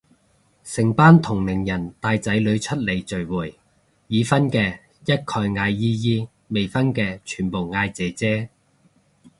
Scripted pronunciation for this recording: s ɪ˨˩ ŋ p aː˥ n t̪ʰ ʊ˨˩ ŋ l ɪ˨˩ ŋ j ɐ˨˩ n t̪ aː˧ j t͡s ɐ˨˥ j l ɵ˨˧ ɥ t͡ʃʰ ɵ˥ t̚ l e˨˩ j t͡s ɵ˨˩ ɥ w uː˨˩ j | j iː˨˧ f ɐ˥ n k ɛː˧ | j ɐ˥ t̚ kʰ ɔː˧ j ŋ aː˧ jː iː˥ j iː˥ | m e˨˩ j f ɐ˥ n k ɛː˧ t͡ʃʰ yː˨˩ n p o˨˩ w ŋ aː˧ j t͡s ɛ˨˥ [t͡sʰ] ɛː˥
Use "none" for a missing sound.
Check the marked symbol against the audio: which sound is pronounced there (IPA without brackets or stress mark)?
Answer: t͡s